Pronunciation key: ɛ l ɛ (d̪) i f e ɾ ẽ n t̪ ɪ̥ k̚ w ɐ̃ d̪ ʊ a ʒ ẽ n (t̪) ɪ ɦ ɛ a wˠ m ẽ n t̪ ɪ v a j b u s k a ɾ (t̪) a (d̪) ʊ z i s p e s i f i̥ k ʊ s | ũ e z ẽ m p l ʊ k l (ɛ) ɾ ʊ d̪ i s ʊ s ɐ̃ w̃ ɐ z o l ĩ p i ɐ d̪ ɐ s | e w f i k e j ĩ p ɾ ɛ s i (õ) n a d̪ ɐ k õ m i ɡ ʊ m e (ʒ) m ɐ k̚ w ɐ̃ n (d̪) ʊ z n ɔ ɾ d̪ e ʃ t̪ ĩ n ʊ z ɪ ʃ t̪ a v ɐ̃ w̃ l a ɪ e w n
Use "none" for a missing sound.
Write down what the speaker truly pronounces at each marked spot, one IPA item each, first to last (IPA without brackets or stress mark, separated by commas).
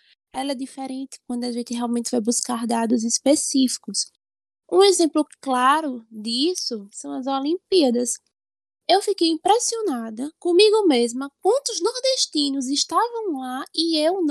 d̪, t̪, d̪, d̪, a, o, z, t̪